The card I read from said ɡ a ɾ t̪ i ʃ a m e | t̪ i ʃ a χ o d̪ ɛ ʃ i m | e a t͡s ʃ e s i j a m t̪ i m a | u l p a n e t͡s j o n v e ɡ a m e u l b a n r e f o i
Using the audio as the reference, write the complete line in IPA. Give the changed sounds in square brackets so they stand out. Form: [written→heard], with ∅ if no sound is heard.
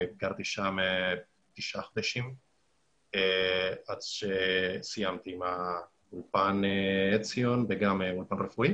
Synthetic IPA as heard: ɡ a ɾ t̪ i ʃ a m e | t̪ i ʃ a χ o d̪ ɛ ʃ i m | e a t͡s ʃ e s i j a m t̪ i m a | u l p a n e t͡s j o n v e ɡ a m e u l [b→p] a n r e f [o→u] i